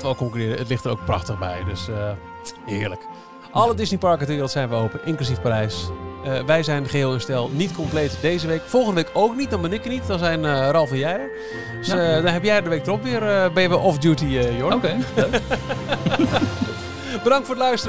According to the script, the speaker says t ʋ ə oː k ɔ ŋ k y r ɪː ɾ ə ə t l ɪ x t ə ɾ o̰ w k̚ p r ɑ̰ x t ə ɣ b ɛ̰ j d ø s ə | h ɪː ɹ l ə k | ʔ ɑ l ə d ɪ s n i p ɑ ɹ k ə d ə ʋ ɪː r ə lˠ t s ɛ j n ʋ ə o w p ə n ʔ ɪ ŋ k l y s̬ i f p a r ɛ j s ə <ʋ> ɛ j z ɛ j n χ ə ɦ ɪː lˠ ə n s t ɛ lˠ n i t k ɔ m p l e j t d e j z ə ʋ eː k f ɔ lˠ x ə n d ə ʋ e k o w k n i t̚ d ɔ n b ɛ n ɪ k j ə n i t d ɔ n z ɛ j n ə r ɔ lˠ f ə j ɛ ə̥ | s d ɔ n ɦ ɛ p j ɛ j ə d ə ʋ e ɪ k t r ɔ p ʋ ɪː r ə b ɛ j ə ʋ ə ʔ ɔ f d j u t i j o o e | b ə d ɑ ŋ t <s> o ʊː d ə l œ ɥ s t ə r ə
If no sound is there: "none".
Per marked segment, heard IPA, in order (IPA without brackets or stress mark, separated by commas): ʋ, f